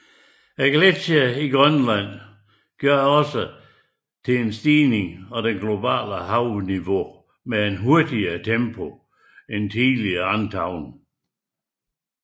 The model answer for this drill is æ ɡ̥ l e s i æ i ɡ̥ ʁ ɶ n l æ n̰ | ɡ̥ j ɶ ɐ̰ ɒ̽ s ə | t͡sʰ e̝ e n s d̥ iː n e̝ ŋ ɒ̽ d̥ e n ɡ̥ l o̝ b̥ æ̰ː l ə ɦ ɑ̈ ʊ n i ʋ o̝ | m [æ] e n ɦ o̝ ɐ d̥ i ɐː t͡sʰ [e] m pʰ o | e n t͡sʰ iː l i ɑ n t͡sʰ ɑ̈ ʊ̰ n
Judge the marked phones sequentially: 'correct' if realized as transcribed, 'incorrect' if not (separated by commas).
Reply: incorrect, correct